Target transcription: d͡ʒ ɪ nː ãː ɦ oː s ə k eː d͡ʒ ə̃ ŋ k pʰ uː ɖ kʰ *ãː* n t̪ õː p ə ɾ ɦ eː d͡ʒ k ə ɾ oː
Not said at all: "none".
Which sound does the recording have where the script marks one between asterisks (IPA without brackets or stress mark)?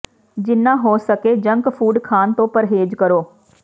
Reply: aː